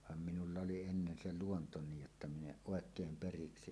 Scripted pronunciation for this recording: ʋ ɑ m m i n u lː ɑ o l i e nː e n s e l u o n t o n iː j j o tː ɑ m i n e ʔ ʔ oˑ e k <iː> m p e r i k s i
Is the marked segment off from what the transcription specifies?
yes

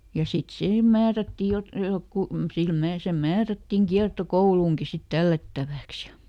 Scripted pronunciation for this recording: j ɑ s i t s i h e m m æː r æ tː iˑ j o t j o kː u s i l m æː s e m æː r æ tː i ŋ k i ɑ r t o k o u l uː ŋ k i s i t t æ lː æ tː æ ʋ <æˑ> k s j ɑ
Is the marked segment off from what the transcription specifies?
no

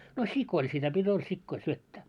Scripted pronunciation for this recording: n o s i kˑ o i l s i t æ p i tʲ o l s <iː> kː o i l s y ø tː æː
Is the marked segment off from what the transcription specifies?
yes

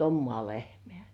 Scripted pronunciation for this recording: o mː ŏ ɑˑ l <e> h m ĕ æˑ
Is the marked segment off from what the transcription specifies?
no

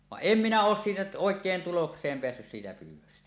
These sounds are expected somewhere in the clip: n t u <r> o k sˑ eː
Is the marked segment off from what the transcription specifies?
yes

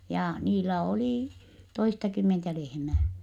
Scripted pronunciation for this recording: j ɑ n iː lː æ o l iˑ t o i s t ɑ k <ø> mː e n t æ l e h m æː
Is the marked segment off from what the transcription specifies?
yes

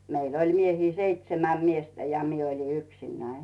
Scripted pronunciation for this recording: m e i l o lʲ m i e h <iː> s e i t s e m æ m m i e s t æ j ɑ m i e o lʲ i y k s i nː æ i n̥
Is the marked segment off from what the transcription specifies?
no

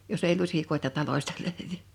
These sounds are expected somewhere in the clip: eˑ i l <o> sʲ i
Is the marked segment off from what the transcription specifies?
yes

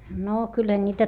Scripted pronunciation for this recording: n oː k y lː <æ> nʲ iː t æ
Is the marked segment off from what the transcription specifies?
no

